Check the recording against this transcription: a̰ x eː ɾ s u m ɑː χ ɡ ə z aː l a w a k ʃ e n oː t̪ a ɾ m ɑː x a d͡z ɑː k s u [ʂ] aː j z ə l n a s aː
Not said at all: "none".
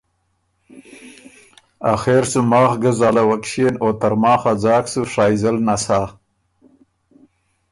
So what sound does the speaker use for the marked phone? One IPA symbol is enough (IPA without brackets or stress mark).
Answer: ʂ